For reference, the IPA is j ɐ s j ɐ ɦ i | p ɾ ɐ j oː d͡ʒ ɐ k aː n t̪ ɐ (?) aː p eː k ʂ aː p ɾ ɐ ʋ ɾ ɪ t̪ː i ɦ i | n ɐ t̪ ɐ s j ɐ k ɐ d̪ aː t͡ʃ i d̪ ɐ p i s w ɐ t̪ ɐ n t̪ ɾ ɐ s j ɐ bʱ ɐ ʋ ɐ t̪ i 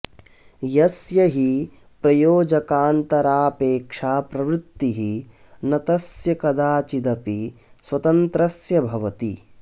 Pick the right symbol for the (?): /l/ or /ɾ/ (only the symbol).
ɾ